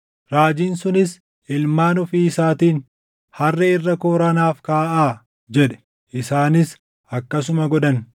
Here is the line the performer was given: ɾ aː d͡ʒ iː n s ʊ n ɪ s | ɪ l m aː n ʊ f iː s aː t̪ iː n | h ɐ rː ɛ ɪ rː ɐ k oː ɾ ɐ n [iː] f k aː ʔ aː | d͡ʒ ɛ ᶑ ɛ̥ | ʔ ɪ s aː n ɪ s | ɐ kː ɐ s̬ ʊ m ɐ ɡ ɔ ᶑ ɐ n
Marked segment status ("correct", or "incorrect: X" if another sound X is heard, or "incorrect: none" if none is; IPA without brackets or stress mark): incorrect: aː